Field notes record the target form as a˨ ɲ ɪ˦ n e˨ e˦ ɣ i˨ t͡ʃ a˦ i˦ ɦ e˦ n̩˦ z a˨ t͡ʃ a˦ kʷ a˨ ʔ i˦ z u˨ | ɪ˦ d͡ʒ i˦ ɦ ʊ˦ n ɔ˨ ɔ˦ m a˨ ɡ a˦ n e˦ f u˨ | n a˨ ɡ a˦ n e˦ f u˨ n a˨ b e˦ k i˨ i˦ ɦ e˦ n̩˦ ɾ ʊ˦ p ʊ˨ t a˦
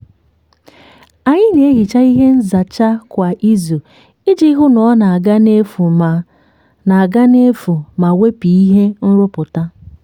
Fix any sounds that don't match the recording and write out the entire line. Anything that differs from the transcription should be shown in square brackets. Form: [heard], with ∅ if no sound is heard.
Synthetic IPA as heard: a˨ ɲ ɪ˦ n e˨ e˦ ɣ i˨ t͡ʃ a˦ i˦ ɦ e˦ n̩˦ z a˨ t͡ʃ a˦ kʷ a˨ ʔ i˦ z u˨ | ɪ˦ d͡ʒ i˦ ɦ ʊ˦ n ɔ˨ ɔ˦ [n] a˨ ɡ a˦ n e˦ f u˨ | n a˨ ɡ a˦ n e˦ f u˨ [m] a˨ [w] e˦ [p] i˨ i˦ ɦ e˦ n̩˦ ɾ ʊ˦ p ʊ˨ t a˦